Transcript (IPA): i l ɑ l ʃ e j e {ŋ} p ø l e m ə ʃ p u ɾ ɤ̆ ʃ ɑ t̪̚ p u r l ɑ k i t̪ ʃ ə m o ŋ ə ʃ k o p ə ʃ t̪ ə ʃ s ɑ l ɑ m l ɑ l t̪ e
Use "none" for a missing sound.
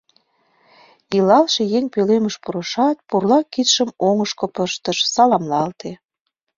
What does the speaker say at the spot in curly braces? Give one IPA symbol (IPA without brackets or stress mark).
ŋ